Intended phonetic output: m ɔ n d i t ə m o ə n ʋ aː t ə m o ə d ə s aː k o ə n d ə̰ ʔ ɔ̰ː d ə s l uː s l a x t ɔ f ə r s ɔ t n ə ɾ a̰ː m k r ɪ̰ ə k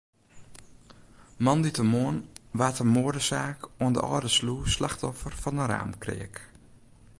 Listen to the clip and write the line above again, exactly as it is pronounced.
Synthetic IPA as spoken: m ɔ n d i t ə m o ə n ʋ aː t ə m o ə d ə s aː k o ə n d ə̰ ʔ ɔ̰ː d ə s l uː s l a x t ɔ f ə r f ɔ n ə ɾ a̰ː m k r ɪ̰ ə k